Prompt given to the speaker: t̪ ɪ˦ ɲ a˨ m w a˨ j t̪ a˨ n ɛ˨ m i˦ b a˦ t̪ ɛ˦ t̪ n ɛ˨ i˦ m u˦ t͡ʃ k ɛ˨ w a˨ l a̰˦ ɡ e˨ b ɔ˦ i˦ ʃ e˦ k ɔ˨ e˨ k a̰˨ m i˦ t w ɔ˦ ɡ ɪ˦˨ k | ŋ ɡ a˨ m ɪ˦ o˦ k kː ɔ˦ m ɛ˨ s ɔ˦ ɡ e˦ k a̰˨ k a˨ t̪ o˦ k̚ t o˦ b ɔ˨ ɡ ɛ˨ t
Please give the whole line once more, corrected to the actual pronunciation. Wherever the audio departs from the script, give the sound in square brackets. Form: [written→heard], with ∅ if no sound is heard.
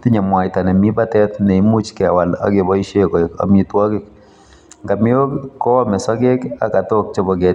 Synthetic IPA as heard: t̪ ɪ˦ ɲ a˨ m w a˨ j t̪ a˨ n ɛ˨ m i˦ b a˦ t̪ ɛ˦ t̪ n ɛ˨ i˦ m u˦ t͡ʃ k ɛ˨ w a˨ l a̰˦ ɡ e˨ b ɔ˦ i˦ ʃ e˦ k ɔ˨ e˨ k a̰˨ m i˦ t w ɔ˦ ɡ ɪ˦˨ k | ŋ ɡ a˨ m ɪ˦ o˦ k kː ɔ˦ m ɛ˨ s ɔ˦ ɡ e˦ k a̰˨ k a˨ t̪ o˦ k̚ [t→t͡ʃ] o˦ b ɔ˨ ɡ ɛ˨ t